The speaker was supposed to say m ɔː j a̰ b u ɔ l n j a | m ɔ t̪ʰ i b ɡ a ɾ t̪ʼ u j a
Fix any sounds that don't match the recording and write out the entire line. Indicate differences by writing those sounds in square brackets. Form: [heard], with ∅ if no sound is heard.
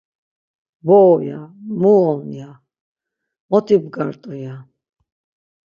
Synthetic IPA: [b] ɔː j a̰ [m] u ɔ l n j a | m ɔ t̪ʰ i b ɡ a ɾ t̪ʼ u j a